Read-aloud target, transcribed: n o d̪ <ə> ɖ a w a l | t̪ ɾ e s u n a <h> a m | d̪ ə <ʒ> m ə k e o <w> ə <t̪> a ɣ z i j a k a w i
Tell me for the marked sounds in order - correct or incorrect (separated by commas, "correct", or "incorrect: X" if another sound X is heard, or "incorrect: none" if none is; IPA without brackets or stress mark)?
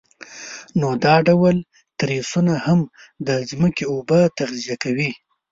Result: incorrect: ɑ, correct, incorrect: z, incorrect: b, correct